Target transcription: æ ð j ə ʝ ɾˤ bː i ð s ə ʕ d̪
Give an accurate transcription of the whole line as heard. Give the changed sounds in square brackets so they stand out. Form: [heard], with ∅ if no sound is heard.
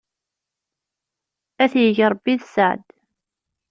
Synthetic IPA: æ [θ] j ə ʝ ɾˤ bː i ð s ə ʕ d̪